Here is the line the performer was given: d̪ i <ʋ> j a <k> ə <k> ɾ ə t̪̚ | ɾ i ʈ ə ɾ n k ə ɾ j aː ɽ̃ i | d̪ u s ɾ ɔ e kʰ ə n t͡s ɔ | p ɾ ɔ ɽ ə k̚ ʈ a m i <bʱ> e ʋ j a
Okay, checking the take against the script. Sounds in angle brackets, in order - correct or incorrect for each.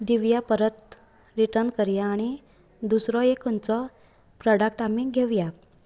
correct, incorrect: p, incorrect: none, incorrect: ɡʱ

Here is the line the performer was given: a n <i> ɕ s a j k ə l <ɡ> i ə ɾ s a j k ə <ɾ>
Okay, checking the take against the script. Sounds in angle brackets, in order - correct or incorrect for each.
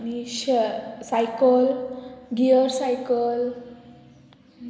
correct, correct, incorrect: l

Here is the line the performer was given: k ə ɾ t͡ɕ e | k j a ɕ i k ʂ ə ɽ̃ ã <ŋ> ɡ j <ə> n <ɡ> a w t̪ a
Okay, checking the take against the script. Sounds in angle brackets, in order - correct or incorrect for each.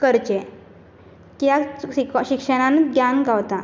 incorrect: n, incorrect: a, correct

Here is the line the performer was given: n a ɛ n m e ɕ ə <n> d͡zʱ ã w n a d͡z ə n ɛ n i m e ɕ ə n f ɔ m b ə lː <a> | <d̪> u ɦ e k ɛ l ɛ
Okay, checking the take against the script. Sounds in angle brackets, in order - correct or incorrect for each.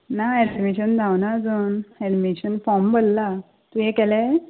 correct, correct, incorrect: t̪

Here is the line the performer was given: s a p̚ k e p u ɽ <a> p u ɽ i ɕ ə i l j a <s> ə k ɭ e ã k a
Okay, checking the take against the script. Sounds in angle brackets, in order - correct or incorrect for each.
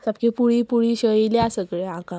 incorrect: i, correct

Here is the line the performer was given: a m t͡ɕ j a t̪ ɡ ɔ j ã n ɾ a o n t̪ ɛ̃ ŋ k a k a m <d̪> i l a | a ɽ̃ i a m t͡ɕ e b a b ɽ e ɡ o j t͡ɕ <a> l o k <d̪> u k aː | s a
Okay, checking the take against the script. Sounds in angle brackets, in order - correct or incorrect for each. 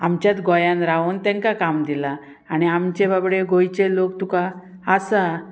correct, incorrect: e, incorrect: t̪

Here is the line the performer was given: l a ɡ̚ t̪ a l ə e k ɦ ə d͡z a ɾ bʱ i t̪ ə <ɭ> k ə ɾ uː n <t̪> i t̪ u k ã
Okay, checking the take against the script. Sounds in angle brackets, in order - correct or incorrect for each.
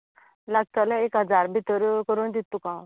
incorrect: ɾ, incorrect: d̪

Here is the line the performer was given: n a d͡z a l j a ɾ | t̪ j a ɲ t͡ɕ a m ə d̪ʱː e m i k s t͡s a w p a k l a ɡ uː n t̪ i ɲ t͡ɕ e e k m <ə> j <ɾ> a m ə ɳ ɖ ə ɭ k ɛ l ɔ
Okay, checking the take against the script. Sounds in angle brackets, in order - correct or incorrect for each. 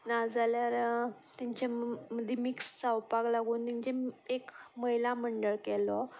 correct, incorrect: l

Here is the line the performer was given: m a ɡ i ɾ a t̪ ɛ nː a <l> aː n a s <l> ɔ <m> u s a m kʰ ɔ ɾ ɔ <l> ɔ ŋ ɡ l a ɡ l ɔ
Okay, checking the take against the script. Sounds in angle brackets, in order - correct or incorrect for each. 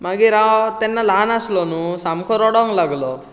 correct, correct, incorrect: n, incorrect: ɽ

